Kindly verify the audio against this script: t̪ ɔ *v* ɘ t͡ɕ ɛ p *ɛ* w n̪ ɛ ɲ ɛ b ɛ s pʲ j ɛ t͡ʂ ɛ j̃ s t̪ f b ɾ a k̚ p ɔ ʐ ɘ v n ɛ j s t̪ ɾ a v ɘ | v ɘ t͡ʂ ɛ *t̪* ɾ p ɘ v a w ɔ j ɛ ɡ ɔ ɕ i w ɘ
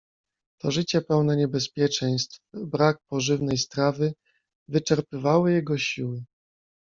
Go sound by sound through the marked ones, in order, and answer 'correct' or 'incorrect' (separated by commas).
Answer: incorrect, correct, incorrect